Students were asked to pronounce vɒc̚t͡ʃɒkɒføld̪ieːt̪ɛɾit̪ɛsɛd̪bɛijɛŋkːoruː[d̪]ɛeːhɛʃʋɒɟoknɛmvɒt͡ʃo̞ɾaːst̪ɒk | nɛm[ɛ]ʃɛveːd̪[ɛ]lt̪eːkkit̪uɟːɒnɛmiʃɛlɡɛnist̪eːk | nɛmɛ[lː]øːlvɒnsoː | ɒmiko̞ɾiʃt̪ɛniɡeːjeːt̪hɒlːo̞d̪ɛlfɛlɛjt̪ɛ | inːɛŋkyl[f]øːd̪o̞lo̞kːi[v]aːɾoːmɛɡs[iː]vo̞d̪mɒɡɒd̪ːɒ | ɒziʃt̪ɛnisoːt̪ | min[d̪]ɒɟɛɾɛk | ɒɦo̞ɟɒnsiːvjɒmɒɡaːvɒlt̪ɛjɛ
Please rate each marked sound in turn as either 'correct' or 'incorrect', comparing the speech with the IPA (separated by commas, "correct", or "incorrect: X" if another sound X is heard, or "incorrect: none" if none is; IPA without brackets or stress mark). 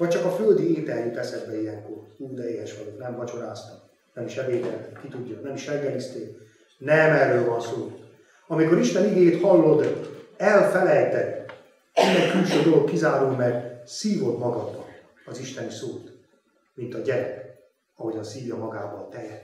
correct, incorrect: i, correct, incorrect: rː, incorrect: ʃ, incorrect: z, correct, incorrect: t̪